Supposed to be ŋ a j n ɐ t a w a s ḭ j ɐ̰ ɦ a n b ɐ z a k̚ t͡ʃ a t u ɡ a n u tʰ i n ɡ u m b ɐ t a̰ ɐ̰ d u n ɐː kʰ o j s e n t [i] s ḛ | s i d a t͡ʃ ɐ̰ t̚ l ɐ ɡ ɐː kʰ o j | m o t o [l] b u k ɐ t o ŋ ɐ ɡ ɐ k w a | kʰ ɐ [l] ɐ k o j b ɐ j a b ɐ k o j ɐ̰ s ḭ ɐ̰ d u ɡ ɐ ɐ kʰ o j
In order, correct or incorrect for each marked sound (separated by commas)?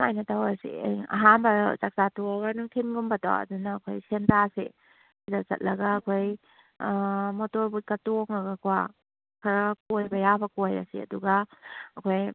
incorrect, incorrect, incorrect